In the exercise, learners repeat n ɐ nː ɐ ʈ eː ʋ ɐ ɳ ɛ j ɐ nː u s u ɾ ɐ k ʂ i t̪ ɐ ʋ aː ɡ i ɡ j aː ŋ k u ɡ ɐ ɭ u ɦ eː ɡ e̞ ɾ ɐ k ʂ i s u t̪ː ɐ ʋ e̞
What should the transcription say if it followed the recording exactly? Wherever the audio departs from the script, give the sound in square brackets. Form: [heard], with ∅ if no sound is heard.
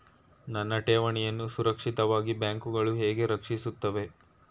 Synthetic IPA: n ɐ nː ɐ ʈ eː ʋ ɐ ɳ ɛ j ɐ nː u s u ɾ ɐ k ʂ i t̪ ɐ ʋ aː ɡ i [b] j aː ŋ k u ɡ ɐ ɭ u ɦ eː ɡ e̞ ɾ ɐ k ʂ i s u t̪ː ɐ ʋ e̞